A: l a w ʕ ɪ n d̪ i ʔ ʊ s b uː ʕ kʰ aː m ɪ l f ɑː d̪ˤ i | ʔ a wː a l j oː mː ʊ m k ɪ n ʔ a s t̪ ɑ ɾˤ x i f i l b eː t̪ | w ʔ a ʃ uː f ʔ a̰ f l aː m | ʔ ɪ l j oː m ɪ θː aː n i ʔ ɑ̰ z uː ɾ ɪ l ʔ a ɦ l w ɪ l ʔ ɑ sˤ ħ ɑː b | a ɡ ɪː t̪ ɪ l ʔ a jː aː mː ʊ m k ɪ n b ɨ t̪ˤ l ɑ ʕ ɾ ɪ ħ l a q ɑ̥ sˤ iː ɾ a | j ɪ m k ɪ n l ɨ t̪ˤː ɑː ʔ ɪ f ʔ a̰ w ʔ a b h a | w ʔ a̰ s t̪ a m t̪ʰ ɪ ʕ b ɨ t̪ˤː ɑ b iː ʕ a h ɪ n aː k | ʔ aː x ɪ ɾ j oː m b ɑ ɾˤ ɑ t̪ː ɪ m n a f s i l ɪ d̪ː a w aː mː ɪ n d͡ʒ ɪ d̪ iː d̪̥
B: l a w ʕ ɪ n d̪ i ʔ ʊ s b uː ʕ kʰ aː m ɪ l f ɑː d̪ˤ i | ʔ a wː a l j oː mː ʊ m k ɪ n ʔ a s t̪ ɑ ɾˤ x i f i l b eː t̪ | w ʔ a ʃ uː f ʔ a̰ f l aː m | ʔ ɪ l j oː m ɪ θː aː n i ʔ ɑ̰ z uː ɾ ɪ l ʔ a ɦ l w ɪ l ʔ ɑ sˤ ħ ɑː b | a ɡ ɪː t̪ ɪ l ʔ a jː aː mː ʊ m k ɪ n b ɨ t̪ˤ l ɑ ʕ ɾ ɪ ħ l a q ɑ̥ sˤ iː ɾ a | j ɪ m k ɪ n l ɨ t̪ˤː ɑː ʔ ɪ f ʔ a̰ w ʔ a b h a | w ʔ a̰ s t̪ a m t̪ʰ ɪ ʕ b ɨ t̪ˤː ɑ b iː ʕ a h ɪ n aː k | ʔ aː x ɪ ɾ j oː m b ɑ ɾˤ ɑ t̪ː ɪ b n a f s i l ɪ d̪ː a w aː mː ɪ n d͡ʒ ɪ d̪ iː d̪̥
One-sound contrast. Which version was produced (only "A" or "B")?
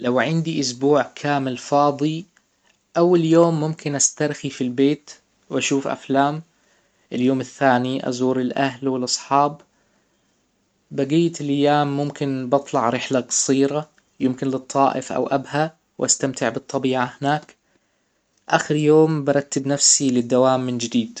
B